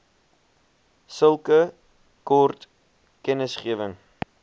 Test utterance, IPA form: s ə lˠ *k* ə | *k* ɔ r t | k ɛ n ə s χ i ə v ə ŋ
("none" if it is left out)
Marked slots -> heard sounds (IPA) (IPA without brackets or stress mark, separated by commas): k, k